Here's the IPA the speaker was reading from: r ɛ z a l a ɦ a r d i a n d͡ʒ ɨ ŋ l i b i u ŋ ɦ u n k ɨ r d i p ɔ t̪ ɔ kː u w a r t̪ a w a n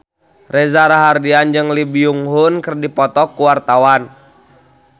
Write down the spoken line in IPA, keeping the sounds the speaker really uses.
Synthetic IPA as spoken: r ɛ z a ɾ a ɦ a r d i a n d͡ʒ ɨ ŋ l i b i u ŋ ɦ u n k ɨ r d i p ɔ t̪ ɔ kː u w a r t̪ a w a n